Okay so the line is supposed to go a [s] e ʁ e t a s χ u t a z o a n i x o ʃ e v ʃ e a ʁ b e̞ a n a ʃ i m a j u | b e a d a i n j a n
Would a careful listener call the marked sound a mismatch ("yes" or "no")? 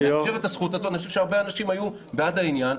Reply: yes